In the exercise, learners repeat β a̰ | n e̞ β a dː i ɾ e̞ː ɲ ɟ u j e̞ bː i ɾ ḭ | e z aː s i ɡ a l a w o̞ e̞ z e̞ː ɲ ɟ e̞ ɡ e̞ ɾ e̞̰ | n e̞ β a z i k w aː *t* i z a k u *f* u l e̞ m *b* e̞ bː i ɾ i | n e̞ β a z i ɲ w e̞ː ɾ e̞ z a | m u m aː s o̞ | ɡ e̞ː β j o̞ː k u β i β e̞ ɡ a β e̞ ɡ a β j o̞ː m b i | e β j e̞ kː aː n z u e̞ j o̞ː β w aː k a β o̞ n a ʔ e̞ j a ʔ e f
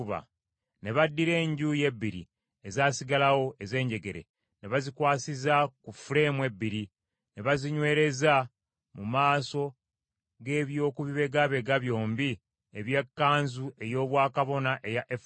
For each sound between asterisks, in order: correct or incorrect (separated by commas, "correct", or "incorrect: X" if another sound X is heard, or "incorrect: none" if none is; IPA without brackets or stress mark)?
incorrect: s, correct, incorrect: w